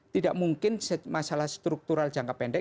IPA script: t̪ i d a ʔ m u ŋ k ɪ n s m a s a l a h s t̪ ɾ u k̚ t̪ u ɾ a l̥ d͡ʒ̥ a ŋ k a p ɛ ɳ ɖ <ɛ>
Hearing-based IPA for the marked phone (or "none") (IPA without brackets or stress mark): ɛ